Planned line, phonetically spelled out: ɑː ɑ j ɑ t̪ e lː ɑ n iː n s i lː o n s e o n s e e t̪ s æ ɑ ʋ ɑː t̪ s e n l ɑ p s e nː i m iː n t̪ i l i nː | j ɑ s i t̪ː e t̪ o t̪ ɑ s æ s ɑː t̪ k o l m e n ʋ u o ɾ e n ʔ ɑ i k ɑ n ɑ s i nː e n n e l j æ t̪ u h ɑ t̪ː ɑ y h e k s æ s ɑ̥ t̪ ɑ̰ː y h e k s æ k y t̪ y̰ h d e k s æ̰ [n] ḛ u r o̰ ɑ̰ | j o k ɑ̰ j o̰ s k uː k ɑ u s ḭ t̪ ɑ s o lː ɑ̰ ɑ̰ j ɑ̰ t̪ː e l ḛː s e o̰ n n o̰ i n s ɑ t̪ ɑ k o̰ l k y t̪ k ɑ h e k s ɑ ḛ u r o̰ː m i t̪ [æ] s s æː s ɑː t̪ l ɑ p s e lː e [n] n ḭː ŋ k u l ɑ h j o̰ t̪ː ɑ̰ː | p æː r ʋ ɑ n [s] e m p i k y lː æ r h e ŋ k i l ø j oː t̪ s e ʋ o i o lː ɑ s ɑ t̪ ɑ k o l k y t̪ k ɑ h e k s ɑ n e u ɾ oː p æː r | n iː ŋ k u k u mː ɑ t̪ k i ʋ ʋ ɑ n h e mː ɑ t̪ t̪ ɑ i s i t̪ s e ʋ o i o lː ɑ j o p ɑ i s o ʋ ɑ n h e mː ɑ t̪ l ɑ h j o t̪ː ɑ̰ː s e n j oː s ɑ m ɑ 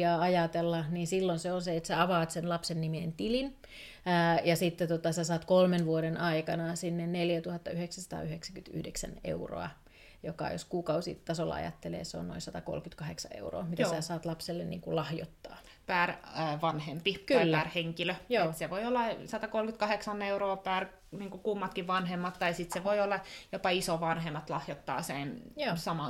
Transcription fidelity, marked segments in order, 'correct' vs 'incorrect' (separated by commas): correct, correct, correct, incorrect